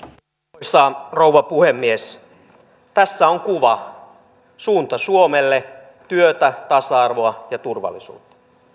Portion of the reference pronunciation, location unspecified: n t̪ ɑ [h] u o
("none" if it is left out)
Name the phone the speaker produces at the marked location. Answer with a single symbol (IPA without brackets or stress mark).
s